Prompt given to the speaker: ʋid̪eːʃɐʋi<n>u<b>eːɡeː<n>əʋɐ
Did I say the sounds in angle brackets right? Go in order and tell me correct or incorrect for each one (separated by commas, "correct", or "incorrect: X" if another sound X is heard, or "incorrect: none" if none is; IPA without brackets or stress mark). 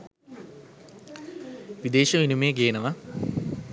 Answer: correct, incorrect: m, correct